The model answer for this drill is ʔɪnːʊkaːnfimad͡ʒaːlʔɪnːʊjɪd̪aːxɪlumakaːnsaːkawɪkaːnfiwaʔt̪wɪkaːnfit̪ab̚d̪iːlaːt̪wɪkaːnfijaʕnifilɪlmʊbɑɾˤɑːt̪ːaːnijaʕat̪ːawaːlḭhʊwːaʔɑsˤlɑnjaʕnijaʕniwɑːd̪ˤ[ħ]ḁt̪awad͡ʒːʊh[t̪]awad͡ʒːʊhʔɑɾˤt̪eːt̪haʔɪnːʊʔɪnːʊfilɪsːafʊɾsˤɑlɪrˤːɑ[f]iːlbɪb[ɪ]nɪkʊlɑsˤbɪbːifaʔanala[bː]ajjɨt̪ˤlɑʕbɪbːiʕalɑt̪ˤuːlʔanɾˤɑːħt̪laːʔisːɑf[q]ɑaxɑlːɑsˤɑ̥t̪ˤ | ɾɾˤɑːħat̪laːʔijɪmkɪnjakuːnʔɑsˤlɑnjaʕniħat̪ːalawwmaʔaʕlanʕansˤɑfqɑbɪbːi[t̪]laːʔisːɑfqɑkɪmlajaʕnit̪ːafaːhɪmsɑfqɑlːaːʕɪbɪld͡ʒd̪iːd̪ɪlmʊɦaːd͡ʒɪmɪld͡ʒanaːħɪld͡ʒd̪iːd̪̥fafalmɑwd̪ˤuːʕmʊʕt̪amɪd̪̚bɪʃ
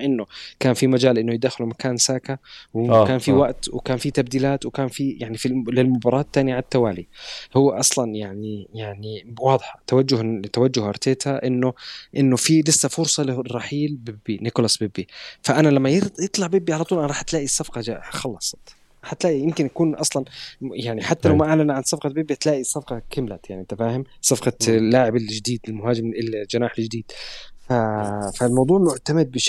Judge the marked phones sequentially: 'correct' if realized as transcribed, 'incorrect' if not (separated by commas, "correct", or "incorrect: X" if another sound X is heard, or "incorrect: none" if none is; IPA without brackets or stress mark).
correct, correct, incorrect: ħ, incorrect: i, incorrect: mː, correct, correct